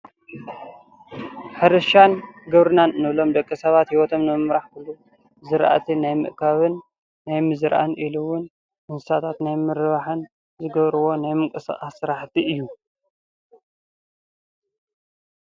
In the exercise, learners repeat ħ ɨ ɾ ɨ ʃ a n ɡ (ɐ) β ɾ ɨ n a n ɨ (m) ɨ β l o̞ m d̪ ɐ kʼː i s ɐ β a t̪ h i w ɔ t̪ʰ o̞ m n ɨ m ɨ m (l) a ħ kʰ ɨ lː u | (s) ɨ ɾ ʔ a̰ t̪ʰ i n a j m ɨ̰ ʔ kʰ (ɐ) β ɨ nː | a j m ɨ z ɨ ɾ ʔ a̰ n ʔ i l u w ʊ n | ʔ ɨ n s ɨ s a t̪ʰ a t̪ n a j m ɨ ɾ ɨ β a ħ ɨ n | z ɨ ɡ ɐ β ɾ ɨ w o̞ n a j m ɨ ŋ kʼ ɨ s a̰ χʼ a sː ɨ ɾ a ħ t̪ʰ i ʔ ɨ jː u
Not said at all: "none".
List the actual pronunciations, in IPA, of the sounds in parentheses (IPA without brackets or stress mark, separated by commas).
ɐ, n, ɾ, z, a